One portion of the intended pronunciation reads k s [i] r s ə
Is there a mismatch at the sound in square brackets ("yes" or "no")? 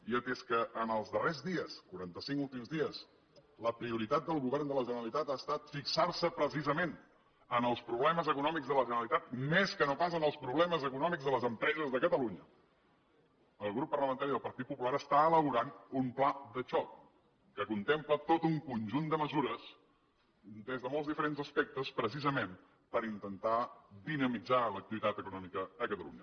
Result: yes